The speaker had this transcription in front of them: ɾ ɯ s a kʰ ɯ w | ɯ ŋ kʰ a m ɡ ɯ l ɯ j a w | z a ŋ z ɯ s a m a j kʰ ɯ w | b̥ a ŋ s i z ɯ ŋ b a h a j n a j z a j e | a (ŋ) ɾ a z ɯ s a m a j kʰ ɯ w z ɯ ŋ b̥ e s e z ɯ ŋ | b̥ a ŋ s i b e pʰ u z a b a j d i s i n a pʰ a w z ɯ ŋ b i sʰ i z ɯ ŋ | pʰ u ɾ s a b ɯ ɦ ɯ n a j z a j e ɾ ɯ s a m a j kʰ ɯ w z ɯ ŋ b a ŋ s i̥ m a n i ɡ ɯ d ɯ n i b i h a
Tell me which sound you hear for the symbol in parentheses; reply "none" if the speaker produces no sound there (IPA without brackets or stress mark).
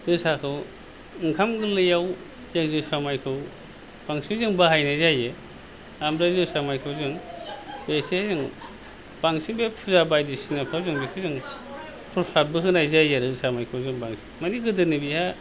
m